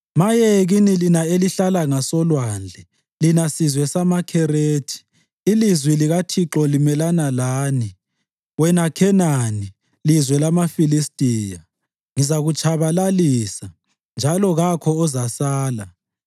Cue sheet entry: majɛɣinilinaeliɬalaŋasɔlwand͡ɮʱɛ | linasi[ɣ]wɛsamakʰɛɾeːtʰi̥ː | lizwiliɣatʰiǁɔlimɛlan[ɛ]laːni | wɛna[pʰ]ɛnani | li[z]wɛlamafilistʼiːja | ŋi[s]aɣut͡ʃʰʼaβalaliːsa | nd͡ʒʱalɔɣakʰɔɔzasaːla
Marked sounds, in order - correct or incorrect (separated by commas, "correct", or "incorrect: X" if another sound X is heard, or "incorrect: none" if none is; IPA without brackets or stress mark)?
incorrect: z, incorrect: a, incorrect: kʰ, correct, incorrect: z